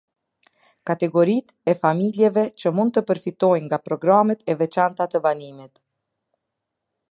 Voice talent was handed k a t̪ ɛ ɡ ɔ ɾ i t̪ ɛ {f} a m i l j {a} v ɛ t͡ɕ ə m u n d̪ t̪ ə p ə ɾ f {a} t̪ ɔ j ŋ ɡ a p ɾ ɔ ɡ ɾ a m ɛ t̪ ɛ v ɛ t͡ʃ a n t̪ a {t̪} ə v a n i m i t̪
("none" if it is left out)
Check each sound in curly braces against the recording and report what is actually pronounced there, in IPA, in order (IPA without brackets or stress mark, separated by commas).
f, ɛ, i, t̪